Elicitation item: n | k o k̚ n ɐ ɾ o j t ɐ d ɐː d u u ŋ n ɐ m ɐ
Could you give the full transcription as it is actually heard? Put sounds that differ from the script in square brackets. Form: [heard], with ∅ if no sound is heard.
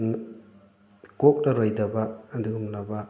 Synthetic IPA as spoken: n | k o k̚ n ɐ ɾ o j [d] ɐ [b] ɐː d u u [m] n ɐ [b] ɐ